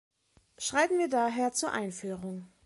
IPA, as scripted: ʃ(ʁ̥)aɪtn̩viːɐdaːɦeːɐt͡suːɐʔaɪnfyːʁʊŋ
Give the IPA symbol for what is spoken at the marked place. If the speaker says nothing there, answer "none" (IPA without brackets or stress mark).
ʁ̥